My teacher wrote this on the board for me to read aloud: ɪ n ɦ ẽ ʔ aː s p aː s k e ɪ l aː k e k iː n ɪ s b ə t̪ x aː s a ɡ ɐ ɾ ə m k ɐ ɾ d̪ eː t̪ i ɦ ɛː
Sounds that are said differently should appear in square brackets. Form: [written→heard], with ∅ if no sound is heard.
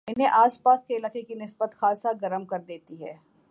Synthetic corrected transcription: ɪ n ɦ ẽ ʔ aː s p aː s k e ɪ l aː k e k [iː→i] n ɪ s b ə t̪ x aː s a ɡ ɐ ɾ ə m k ɐ ɾ d̪ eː t̪ i ɦ ɛː